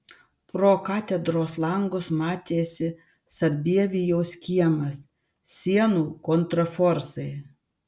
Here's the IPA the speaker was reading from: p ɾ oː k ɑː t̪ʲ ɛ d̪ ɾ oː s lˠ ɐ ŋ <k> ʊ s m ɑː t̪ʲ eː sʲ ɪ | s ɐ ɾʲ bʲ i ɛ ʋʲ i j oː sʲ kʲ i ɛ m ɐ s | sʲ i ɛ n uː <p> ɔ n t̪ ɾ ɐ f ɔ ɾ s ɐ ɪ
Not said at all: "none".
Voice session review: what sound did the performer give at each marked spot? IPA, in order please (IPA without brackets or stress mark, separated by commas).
ɡ, k